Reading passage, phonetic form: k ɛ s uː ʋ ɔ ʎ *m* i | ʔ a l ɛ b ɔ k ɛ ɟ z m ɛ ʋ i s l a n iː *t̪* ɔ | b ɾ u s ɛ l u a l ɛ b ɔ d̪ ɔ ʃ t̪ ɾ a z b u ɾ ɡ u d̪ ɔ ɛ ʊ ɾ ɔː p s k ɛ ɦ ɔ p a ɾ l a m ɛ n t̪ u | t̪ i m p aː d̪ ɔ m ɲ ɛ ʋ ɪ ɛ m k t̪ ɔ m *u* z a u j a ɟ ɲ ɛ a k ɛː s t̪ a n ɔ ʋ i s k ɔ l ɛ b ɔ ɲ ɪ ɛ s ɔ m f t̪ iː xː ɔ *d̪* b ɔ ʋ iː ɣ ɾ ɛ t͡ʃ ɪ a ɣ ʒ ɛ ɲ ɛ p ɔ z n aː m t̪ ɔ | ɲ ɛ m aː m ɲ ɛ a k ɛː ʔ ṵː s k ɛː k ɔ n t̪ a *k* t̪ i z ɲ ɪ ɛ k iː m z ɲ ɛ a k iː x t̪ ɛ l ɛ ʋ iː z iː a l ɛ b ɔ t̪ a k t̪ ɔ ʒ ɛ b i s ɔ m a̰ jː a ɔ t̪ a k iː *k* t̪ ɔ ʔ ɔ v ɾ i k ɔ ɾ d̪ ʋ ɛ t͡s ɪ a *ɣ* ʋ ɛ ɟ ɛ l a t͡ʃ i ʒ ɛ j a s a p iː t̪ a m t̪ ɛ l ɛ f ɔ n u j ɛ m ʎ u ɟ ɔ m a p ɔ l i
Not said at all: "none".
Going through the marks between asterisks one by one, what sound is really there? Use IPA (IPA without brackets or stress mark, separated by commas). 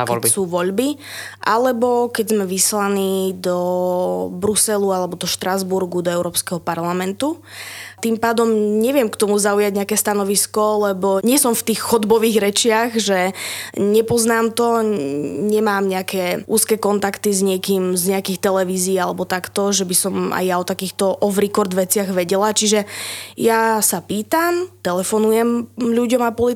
b, d̪, u, d̪, k, x, ɣ